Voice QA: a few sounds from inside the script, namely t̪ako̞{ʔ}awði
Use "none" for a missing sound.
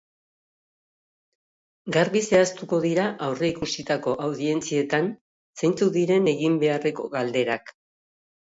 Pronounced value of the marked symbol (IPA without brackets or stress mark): ʔ